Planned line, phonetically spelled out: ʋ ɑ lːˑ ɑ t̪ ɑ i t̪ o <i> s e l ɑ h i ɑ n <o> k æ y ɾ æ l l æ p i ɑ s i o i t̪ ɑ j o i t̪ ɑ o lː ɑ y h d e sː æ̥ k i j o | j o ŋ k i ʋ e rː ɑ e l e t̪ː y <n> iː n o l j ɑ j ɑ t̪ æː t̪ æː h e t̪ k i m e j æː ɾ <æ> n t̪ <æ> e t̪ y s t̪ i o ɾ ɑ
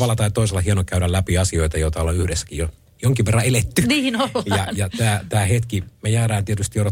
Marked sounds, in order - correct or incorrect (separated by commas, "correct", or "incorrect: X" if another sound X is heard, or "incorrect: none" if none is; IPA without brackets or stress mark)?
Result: correct, correct, correct, incorrect: æː, incorrect: i